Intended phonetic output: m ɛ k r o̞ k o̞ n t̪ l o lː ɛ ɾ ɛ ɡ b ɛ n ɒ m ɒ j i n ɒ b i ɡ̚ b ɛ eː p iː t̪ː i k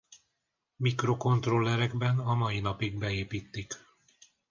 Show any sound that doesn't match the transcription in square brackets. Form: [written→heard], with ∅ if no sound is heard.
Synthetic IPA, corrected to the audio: m [ɛ→i] k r o̞ k o̞ n t̪ [l→r] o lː ɛ ɾ ɛ ɡ b ɛ n ɒ m ɒ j i n ɒ [b→p] i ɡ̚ b ɛ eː p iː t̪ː i k